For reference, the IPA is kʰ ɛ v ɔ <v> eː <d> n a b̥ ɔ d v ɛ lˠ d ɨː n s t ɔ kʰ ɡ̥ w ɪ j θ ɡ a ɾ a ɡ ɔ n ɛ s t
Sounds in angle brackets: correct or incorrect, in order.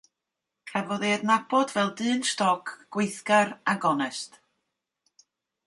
incorrect, correct

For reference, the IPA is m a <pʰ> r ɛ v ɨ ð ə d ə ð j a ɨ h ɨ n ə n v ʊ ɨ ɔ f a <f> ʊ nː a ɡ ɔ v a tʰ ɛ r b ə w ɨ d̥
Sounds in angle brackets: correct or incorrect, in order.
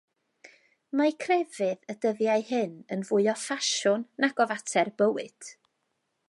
incorrect, incorrect

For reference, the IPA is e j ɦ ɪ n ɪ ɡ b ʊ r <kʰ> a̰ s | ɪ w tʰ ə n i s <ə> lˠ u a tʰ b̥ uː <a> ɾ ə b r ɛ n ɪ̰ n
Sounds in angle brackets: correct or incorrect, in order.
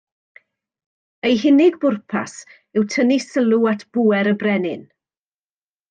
incorrect, correct, incorrect

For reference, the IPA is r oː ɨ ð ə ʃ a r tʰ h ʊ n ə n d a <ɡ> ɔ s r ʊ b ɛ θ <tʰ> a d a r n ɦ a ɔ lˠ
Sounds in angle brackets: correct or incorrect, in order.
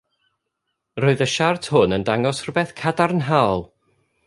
incorrect, incorrect

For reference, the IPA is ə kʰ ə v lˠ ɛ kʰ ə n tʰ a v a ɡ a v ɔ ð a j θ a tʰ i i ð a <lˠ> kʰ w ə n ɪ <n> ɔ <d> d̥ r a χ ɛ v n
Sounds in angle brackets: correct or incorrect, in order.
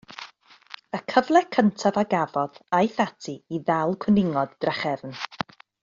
correct, incorrect, correct

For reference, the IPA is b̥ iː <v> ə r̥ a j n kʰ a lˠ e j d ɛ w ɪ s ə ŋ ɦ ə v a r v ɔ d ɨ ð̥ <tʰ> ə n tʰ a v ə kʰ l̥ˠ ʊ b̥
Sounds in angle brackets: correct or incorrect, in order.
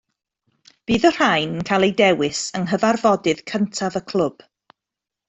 incorrect, incorrect

